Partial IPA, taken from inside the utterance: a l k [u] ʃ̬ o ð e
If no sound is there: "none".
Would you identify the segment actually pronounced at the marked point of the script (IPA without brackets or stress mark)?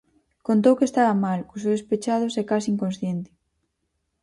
u